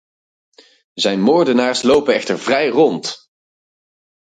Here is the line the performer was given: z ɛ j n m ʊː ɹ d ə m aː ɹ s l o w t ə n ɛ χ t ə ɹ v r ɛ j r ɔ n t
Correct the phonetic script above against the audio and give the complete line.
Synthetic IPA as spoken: z ɛ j n m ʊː ɹ d ə n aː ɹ s l o w p ə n ɛ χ t ə ɹ v r ɛ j r ɔ n t